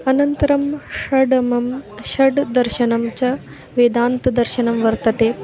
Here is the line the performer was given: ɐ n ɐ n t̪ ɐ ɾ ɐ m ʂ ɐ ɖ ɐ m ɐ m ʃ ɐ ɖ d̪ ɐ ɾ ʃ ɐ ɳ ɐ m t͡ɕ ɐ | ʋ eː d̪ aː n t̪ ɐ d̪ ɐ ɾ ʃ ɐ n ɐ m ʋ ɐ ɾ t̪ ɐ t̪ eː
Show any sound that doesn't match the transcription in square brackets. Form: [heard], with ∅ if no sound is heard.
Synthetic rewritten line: ɐ n ɐ n t̪ ɐ ɾ ɐ m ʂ ɐ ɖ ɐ m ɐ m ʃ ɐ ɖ d̪ ɐ ɾ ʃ ɐ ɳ ɐ m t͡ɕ ɐ | ʋ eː d̪ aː n t̪ ɐ d̪ ɐ ɾ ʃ ɐ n ɐ m ʋ ɐ ɾ t̪ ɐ t̪ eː